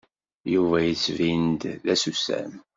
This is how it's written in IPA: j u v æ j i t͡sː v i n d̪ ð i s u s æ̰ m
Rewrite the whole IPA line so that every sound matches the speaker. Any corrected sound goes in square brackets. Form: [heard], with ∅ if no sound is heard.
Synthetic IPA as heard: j u v æ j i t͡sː v i n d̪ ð [æ] s u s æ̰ m